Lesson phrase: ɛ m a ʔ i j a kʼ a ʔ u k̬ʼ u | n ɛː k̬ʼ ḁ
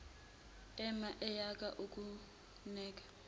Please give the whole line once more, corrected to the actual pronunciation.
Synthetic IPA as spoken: ɛ m a ʔ ɛ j a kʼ a ʔ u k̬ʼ u | n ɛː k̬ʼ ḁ